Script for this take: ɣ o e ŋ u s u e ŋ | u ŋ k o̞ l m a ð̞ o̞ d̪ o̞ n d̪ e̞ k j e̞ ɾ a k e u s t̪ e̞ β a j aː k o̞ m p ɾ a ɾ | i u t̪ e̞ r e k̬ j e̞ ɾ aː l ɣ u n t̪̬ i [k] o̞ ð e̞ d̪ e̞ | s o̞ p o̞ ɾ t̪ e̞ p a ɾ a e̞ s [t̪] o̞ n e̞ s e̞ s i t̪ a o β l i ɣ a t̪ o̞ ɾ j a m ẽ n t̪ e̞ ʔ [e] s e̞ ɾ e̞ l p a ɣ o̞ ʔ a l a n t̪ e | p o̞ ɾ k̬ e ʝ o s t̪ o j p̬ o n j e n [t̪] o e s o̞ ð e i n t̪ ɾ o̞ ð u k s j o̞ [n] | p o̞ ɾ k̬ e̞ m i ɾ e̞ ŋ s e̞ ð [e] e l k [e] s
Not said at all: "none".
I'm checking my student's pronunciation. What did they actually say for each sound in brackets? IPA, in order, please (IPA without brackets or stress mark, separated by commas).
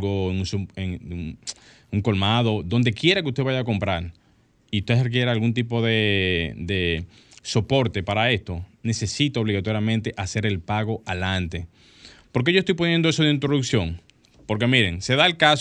p, t̪, a, d̪, ŋ, a, a